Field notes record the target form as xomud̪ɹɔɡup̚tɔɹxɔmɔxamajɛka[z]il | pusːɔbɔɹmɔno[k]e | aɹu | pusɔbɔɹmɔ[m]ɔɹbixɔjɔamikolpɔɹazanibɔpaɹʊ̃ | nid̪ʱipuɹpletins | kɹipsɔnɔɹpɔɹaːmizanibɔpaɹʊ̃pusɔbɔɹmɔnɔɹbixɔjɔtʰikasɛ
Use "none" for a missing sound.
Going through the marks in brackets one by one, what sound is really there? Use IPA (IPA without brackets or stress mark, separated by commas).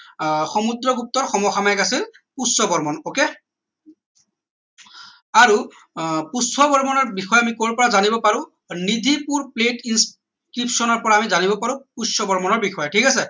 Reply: s, k, n